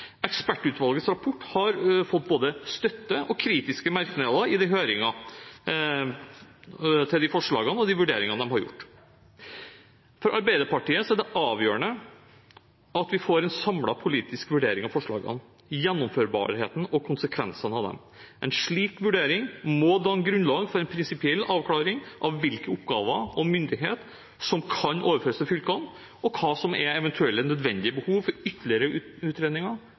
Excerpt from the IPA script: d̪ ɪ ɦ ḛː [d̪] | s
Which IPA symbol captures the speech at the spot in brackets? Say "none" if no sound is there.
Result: t̪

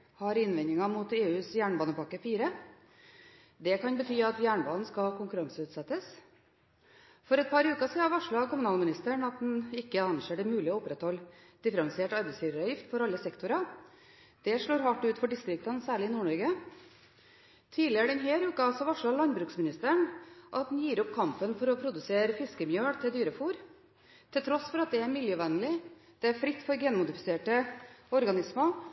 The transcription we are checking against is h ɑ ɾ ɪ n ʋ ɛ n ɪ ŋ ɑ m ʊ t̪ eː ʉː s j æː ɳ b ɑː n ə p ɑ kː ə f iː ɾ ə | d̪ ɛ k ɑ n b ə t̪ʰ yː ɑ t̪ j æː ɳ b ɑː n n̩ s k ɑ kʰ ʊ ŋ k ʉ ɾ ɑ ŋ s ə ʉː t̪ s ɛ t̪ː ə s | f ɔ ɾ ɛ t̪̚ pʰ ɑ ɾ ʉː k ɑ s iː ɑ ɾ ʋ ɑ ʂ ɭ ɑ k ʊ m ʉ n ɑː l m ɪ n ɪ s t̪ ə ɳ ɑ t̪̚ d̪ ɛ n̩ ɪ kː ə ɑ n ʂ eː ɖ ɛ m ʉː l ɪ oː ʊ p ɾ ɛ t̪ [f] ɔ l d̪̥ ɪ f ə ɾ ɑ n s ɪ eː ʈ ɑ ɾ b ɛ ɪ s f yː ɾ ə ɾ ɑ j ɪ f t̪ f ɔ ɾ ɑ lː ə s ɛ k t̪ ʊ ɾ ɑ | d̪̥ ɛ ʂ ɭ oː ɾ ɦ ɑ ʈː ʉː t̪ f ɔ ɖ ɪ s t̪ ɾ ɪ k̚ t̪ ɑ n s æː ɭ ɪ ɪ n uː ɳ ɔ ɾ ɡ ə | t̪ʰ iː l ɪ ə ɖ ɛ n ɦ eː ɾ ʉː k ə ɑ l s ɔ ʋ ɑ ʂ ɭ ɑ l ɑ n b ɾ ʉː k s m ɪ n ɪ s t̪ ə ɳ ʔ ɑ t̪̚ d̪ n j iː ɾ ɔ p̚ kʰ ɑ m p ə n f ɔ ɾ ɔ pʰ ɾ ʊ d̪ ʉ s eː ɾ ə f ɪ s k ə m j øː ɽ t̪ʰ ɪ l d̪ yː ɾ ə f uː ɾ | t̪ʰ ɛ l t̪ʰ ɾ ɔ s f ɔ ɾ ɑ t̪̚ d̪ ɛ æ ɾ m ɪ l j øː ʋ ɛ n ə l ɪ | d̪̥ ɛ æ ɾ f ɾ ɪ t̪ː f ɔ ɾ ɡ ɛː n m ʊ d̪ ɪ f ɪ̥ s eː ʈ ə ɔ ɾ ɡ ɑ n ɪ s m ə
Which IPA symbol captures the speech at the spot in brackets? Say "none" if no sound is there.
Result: h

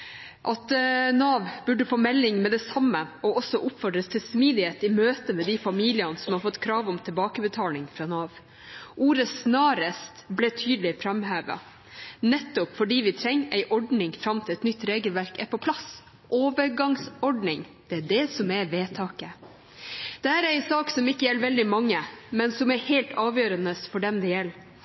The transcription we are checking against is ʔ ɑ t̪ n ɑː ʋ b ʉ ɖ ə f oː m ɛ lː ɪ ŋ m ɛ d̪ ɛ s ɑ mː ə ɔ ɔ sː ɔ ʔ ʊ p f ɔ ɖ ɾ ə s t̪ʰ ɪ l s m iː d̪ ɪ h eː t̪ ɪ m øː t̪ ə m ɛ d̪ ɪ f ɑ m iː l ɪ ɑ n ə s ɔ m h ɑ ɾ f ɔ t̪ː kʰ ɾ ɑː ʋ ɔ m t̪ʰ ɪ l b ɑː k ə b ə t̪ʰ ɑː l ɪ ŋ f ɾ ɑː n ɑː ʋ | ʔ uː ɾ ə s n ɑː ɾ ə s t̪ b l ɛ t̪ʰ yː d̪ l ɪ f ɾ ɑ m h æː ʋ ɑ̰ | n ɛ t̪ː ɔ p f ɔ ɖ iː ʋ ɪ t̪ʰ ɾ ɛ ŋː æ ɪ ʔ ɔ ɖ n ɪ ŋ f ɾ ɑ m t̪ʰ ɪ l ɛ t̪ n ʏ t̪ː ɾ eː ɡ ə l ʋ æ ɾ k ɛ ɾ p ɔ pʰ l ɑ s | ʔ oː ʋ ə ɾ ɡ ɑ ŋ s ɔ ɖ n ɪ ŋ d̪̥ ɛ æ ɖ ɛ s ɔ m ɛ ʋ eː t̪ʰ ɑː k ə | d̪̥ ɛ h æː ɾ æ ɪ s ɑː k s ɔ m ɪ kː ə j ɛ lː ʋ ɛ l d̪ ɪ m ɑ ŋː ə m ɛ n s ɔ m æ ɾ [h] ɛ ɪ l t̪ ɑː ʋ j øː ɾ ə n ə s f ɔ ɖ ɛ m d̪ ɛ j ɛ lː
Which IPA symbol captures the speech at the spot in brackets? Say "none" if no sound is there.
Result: h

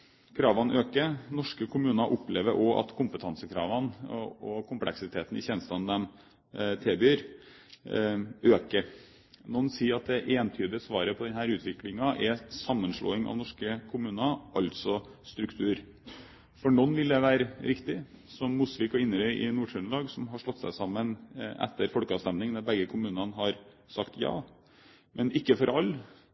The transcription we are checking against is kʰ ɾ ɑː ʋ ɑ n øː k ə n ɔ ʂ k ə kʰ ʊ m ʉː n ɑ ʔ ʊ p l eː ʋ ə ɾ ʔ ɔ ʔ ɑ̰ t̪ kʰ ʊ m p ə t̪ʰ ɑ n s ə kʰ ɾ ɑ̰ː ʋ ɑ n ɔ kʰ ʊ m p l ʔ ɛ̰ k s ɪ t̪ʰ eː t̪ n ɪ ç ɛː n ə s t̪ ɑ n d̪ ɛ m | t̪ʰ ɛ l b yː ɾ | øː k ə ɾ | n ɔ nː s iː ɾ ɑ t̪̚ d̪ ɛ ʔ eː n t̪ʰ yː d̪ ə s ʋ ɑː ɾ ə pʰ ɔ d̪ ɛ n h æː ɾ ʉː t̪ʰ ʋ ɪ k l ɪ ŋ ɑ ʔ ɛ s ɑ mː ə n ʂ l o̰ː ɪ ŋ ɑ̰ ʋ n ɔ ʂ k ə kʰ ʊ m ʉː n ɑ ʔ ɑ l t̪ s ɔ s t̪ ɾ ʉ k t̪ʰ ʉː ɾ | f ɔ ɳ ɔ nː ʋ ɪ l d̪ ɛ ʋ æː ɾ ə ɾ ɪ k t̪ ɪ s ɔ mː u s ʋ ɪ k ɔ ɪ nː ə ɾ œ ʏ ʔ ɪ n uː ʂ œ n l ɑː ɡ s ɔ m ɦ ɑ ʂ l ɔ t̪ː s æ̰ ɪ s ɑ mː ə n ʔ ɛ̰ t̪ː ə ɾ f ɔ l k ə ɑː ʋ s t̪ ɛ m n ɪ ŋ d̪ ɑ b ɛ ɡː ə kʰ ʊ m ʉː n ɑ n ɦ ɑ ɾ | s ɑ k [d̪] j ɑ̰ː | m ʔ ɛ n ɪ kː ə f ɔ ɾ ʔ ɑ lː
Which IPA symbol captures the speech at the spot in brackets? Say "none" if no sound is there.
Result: t̪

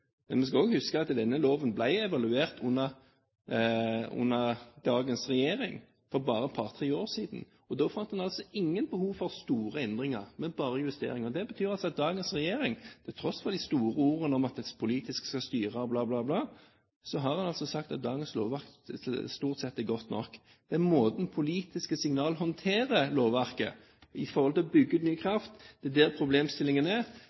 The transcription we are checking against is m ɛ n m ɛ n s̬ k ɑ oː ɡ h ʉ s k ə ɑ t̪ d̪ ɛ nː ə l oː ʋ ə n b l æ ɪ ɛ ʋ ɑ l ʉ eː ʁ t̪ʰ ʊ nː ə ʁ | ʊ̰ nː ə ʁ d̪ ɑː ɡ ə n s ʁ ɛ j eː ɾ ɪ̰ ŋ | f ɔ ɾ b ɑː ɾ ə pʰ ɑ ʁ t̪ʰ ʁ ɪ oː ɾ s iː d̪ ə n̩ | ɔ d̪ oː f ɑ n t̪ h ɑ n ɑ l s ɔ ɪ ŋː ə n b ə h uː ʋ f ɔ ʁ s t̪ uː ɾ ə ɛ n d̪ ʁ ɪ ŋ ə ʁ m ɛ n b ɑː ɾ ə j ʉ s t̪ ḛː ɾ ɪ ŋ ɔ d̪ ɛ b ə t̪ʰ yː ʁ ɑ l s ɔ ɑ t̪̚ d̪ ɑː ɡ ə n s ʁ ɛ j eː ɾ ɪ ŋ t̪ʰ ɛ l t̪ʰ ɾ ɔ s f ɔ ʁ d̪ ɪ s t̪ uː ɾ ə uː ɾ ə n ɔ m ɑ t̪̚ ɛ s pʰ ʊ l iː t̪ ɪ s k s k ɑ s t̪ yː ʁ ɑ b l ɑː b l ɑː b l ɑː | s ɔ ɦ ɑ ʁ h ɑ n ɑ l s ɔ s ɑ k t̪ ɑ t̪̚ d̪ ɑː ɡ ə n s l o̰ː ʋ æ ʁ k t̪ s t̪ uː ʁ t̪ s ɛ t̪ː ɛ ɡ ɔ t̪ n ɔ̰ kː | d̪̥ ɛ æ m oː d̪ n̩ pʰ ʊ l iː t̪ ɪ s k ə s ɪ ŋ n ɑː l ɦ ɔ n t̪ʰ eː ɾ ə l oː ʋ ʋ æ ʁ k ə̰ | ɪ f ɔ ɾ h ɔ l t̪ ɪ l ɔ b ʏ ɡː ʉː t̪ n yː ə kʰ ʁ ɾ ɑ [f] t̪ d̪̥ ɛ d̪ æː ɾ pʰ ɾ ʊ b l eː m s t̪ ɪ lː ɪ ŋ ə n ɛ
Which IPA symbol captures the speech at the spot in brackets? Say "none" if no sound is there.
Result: f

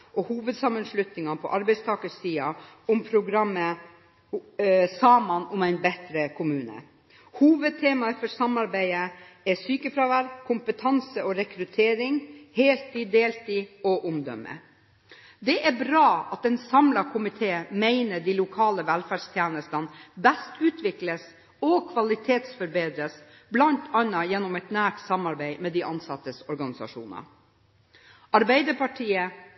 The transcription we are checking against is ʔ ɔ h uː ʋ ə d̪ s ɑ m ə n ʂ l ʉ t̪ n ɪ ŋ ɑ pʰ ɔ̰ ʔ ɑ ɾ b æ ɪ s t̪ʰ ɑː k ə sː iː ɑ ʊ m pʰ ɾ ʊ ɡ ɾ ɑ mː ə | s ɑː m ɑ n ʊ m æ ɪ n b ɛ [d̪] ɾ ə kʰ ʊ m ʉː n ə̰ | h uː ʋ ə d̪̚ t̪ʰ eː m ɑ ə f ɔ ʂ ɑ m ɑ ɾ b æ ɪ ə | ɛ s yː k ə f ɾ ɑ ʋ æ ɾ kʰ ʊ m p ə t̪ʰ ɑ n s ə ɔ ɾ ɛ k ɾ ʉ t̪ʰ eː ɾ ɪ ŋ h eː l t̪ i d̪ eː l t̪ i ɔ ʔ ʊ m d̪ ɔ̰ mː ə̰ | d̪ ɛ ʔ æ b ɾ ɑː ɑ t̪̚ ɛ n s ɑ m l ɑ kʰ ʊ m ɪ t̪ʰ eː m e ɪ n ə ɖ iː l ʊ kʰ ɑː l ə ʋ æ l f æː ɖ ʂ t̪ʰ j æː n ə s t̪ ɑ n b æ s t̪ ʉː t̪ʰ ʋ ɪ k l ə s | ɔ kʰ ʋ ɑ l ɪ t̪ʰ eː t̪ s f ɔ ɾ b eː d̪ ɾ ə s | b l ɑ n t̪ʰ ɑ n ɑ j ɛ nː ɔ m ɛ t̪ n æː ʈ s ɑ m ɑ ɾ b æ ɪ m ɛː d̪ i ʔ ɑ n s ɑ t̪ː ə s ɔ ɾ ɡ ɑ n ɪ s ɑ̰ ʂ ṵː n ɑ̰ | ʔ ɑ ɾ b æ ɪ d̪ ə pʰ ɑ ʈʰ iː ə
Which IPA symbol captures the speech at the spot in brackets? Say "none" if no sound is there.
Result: t̪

